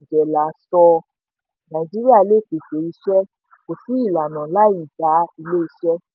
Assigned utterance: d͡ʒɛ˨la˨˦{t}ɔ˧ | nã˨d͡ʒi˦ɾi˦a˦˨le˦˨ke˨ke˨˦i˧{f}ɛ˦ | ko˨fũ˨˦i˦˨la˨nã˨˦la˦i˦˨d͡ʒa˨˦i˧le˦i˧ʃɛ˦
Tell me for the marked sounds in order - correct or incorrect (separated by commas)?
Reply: incorrect, incorrect